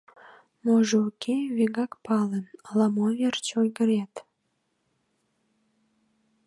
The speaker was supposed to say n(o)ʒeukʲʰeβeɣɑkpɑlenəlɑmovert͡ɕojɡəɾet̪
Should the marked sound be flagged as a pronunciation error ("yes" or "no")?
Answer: no